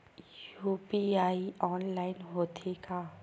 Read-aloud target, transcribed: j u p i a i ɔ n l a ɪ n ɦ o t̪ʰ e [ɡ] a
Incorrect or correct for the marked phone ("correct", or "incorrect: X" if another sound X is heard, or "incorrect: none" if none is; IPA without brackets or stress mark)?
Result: incorrect: k